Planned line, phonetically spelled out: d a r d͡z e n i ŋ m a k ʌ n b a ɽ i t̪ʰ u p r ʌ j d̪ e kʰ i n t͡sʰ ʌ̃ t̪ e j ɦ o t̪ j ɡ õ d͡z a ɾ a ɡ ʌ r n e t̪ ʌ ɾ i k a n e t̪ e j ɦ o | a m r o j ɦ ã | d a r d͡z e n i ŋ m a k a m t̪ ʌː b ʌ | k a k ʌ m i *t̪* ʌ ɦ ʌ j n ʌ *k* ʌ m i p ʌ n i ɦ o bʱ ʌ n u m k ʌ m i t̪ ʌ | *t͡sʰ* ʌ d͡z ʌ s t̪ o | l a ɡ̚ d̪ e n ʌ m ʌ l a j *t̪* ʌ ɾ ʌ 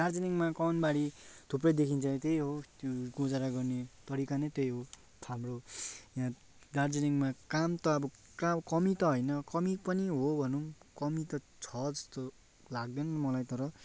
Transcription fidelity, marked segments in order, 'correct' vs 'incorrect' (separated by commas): correct, correct, correct, correct